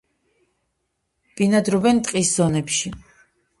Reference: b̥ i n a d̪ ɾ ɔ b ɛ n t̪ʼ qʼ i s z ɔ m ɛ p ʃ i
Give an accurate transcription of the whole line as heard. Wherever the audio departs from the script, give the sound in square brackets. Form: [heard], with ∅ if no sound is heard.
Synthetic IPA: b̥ i n a d̪ ɾ ɔ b ɛ n t̪ʼ qʼ i s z ɔ [n] ɛ p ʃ i